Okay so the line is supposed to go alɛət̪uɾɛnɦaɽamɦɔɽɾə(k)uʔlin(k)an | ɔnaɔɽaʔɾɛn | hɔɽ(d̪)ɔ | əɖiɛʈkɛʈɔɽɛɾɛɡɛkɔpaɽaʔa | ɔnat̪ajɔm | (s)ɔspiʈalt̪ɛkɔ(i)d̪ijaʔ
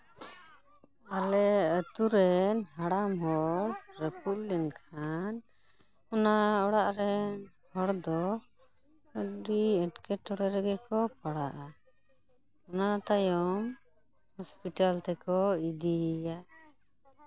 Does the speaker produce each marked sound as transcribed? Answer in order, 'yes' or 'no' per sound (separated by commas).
no, no, yes, no, yes